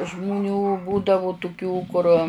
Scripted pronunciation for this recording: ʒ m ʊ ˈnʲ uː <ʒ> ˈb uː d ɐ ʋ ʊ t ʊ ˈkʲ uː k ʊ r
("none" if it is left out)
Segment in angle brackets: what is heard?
none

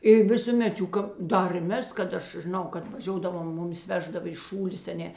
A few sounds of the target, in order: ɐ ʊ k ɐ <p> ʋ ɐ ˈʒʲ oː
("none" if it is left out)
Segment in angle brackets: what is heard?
t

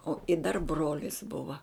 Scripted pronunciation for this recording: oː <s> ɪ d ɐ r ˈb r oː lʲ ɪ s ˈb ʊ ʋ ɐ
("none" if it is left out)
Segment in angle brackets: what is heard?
none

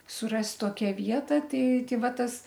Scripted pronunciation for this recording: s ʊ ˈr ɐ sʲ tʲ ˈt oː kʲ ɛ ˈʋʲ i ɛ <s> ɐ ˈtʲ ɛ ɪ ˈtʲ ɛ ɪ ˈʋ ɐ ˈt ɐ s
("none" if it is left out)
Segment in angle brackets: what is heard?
t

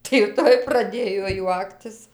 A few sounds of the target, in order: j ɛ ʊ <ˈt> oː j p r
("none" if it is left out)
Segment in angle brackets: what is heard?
t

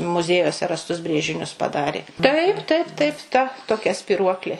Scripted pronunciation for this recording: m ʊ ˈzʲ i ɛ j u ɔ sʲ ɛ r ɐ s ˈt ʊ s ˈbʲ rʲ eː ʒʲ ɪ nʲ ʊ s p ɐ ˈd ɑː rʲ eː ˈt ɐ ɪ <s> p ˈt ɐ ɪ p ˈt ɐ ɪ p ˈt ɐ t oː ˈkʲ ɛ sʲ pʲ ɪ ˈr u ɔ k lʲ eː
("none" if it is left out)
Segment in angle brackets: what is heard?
none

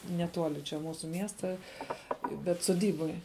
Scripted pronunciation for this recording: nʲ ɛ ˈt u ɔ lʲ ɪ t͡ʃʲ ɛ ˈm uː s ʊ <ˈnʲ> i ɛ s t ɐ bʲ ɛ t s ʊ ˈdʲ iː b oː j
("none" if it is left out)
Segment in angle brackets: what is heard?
mʲ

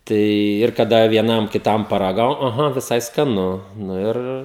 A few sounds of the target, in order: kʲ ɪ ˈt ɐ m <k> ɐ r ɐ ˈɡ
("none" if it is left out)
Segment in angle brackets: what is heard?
p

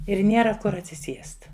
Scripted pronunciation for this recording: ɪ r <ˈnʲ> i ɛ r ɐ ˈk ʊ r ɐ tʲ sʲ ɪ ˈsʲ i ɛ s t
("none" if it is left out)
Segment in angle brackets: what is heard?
nʲ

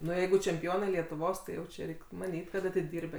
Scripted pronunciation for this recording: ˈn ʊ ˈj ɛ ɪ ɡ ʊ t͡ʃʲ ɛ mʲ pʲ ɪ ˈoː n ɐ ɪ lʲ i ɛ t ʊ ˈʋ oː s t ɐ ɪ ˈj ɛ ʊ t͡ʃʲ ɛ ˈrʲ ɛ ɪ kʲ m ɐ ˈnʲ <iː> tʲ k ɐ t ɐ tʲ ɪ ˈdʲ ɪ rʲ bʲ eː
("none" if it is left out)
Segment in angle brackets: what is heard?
iː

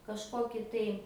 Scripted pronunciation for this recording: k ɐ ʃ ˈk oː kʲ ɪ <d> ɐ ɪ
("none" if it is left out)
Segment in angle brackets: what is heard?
t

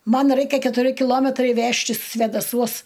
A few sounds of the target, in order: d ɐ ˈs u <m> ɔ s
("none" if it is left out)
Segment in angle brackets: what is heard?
none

